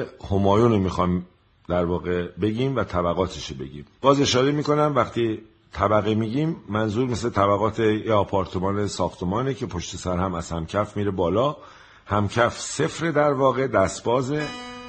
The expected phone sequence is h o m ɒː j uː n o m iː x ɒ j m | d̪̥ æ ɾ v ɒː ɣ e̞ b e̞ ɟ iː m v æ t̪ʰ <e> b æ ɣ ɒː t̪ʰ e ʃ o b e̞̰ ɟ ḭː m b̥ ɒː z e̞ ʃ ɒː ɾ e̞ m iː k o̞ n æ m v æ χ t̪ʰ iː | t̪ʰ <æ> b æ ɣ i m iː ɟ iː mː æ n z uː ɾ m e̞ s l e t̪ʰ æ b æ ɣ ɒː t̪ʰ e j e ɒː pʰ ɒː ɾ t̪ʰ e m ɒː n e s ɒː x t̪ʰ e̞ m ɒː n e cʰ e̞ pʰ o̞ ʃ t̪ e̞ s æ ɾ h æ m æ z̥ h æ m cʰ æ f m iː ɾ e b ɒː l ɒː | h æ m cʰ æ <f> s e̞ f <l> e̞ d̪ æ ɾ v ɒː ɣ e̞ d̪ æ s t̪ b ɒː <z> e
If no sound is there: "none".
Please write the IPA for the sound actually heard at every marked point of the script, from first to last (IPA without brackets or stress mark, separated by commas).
æ, æ, f, ɾ, z